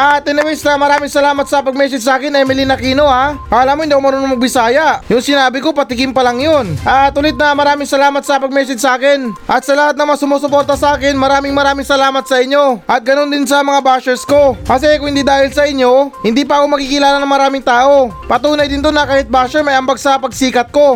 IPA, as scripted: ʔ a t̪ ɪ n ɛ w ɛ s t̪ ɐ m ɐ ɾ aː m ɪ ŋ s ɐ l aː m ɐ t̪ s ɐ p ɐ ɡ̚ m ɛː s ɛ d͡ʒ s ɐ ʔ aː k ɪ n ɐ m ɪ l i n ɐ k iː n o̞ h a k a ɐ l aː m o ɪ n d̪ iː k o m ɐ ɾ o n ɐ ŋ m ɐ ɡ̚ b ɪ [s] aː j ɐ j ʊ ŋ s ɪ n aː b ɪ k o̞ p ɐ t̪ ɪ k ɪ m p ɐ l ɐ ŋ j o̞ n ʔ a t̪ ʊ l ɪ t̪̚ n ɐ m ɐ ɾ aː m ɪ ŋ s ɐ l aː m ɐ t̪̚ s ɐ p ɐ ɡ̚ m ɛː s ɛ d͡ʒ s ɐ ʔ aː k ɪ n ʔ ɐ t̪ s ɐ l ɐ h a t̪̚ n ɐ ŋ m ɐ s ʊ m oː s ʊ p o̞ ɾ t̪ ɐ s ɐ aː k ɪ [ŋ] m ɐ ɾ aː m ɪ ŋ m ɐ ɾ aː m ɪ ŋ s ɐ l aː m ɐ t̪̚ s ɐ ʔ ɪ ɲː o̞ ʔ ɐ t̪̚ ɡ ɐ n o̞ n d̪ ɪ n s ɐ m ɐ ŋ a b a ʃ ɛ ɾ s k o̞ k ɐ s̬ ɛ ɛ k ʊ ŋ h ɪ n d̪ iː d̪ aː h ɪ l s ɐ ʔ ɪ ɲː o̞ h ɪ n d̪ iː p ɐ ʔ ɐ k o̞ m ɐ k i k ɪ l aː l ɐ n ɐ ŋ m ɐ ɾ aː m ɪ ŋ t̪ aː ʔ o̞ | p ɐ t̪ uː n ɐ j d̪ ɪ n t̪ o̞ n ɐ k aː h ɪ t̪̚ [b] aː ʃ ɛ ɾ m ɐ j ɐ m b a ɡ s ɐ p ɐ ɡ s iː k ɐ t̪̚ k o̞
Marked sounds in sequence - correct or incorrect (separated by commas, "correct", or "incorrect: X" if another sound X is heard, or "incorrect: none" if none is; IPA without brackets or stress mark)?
correct, incorrect: n, correct